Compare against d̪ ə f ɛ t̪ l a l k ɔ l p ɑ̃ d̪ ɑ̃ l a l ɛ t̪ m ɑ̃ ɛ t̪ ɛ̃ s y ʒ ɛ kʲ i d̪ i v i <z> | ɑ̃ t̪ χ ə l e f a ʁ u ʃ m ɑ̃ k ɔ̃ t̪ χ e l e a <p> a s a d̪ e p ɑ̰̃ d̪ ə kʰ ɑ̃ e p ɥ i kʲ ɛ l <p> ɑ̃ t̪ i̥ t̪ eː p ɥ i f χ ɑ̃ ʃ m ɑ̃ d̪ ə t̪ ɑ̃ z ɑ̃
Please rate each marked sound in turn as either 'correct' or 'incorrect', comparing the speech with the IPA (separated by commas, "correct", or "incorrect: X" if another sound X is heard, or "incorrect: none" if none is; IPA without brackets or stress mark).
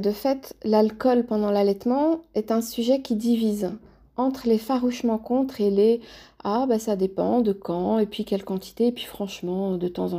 correct, incorrect: b, incorrect: k